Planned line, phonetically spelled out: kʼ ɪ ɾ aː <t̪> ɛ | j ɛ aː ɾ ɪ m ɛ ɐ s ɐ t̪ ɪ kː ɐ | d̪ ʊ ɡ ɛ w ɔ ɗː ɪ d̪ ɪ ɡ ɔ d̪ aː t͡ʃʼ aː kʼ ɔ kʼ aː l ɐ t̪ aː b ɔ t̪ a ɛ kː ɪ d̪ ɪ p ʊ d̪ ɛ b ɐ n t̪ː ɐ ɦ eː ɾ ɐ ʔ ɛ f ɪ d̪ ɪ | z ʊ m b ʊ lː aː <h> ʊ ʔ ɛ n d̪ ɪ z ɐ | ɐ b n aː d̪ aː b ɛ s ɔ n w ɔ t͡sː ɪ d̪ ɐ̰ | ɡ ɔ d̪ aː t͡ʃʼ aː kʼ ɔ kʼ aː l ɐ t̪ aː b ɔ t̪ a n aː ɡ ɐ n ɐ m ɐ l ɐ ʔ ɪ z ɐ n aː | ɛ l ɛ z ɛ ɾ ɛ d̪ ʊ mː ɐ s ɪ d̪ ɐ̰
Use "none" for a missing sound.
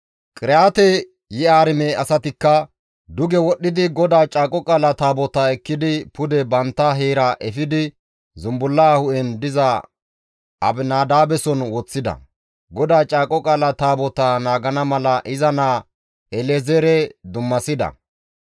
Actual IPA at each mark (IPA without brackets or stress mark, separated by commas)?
t̪, h